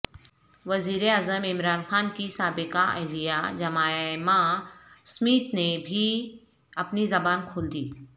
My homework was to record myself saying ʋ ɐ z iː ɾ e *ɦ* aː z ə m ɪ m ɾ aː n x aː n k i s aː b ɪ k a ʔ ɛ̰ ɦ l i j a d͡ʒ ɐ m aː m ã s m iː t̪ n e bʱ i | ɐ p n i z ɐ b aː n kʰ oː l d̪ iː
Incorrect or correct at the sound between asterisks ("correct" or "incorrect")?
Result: incorrect